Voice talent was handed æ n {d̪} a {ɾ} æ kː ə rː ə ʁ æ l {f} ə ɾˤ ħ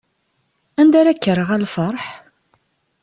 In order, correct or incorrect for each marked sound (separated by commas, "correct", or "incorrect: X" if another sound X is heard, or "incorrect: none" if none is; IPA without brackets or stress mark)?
correct, correct, correct